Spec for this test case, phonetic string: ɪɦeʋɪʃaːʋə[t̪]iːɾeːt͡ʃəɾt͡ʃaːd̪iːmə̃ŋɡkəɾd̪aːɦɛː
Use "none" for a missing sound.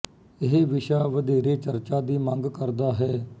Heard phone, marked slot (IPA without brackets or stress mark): d̪